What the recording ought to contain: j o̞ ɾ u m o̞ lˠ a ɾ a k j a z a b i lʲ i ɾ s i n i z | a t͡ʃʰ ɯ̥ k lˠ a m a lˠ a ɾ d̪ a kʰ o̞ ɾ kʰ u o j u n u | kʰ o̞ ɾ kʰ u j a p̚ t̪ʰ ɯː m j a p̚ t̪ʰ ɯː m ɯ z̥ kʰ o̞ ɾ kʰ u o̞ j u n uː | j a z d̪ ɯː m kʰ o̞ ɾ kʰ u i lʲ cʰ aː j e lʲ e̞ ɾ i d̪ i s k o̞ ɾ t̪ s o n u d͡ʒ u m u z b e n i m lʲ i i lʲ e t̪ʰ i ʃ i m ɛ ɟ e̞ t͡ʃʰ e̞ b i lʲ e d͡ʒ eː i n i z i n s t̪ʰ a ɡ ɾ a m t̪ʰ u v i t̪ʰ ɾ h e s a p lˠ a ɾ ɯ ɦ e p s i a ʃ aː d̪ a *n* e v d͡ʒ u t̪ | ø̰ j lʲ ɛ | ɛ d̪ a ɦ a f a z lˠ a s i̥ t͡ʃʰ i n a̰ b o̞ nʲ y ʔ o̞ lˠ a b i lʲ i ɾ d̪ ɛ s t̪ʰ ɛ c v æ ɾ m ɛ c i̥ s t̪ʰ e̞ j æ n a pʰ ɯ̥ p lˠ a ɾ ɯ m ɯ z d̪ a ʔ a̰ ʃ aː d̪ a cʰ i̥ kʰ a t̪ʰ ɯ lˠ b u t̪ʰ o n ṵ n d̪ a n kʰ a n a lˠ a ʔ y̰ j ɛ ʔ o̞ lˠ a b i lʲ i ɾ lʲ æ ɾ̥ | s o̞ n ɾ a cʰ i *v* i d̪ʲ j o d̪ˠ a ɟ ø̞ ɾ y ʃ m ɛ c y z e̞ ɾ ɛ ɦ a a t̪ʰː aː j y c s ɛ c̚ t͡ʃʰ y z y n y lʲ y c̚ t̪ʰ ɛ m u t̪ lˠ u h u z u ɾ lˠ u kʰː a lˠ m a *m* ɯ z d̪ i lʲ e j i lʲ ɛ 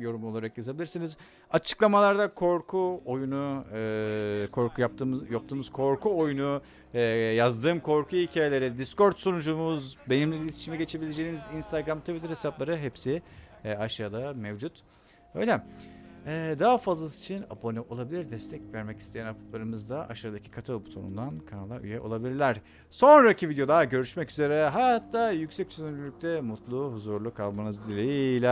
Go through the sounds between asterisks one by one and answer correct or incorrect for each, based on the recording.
incorrect, correct, incorrect

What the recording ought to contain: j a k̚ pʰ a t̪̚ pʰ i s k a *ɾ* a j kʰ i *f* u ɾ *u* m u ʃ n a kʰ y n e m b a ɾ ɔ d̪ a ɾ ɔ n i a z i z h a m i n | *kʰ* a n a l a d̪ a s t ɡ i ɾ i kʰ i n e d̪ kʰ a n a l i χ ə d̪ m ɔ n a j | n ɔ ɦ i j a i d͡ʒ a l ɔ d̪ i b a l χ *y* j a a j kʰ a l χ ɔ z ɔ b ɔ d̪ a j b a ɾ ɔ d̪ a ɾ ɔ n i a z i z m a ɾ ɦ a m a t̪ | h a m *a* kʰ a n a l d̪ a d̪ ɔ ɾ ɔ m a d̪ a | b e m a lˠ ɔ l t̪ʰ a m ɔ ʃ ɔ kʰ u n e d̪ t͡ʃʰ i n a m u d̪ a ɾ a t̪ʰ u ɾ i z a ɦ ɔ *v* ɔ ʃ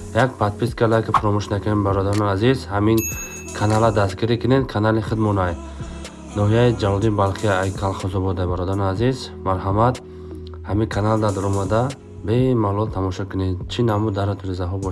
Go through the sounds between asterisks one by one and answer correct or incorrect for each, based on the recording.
incorrect, correct, incorrect, correct, incorrect, incorrect, incorrect

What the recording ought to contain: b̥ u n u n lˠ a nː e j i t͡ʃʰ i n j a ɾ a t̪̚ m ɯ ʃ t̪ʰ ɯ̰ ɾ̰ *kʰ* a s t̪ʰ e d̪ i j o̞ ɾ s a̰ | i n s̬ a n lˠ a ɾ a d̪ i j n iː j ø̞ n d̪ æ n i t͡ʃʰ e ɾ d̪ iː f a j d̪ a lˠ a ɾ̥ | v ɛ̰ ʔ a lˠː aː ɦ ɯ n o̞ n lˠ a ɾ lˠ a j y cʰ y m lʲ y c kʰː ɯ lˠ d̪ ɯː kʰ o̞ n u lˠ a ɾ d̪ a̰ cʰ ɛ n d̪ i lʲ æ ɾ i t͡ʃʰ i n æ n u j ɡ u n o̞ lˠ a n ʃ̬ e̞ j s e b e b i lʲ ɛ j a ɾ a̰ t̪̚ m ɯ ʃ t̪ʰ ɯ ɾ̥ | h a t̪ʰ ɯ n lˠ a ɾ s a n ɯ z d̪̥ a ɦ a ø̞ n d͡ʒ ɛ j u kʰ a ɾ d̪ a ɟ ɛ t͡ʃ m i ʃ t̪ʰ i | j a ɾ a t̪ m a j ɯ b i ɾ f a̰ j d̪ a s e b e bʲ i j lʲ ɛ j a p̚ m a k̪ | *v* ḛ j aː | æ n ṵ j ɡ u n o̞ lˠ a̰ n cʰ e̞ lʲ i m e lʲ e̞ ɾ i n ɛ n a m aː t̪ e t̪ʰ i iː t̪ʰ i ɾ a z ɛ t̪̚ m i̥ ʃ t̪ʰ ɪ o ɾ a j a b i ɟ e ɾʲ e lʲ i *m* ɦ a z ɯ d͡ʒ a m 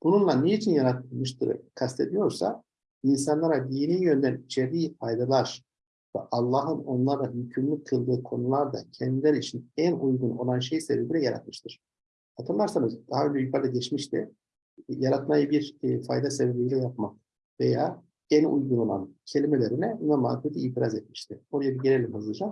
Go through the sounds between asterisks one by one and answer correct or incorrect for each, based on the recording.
correct, correct, correct

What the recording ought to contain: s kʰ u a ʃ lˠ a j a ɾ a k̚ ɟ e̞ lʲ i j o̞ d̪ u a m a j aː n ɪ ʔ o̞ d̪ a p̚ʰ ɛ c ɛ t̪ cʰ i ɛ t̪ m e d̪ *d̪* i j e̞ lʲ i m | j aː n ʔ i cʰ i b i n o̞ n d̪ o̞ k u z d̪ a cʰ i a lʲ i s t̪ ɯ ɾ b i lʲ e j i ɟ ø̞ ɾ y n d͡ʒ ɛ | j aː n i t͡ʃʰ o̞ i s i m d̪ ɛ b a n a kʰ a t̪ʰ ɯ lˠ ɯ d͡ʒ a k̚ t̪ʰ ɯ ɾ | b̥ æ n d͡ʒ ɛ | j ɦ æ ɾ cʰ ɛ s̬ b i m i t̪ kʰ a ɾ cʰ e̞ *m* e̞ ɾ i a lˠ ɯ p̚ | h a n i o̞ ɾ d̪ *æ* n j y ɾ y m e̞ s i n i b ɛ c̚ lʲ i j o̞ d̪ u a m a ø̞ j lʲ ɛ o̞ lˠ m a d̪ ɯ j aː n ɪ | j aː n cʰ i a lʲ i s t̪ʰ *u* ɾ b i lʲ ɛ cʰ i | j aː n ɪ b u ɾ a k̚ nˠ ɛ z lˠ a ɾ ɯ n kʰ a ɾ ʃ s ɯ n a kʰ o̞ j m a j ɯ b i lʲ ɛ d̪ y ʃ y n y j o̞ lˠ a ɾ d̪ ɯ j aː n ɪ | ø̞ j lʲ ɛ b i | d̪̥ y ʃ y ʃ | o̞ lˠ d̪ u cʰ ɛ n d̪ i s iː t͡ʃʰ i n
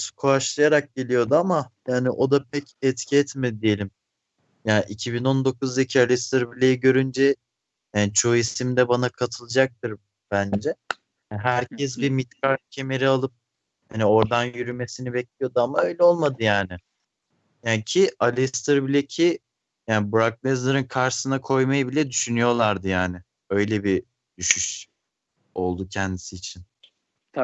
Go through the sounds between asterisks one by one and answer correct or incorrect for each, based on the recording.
correct, correct, incorrect, incorrect

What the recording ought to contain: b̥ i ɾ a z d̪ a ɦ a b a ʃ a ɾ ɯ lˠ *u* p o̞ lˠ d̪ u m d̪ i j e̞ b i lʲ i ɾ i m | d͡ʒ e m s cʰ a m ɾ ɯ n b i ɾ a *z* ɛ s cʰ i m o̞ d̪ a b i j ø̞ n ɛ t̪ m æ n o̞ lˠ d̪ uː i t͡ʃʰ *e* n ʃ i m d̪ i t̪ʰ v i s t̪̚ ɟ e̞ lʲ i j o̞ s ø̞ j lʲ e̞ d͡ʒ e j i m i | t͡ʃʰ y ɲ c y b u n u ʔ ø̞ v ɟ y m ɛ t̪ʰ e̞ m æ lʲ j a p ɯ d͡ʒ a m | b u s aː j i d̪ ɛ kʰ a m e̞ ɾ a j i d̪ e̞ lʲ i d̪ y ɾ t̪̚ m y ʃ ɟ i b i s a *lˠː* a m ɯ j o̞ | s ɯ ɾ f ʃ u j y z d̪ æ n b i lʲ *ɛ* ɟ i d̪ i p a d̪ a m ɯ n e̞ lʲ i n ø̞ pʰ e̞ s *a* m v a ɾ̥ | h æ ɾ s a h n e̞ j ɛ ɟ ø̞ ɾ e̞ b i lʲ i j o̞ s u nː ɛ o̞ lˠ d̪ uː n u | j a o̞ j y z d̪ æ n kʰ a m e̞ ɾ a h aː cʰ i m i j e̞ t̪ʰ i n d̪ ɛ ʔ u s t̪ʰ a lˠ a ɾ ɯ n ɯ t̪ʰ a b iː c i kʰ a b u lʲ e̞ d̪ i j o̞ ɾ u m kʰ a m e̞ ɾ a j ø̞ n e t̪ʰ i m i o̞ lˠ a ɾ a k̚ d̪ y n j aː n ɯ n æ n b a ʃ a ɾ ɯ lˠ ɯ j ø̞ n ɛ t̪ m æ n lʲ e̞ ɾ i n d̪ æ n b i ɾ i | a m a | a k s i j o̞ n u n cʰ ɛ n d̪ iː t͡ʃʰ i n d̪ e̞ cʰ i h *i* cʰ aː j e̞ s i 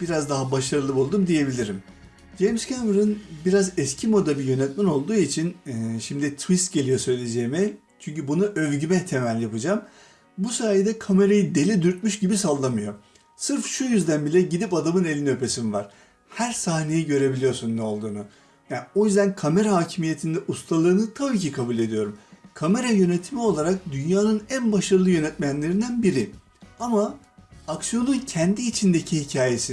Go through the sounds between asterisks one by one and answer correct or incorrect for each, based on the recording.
incorrect, correct, incorrect, correct, correct, incorrect, correct

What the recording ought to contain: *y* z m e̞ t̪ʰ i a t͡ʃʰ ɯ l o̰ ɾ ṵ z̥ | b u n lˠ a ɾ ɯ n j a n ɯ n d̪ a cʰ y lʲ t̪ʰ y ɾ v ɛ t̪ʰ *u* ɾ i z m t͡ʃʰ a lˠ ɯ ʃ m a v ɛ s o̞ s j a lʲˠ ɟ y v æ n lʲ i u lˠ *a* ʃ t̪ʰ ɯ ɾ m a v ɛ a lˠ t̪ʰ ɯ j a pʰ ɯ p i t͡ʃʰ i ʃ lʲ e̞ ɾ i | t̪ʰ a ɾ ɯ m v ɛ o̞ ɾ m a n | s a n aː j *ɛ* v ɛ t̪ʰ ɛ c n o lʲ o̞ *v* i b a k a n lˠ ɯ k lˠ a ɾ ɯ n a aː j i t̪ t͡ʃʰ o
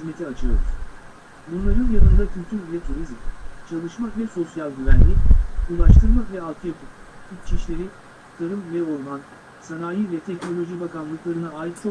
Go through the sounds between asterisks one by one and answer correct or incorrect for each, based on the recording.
incorrect, correct, correct, incorrect, incorrect

